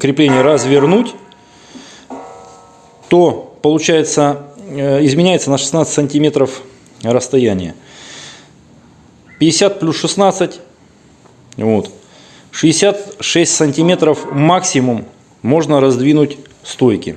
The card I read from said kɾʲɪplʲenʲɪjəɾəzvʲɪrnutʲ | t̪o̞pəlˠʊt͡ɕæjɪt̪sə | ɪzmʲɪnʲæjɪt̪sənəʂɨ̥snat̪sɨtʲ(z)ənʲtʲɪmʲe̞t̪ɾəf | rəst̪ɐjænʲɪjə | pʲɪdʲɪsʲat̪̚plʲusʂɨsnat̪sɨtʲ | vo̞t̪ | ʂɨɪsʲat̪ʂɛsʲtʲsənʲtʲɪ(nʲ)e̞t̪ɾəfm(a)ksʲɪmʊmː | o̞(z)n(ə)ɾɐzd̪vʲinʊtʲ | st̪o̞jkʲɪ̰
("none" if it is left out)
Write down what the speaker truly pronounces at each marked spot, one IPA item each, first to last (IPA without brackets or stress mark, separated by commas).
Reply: s, mʲ, a, ʐ, ə